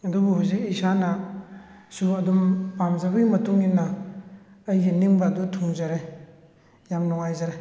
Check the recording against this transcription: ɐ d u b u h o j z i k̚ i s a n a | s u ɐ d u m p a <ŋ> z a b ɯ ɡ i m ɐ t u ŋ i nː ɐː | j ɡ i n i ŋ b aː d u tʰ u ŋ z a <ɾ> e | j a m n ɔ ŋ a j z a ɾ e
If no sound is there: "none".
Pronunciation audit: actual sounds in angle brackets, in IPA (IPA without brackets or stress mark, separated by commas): m, ɾ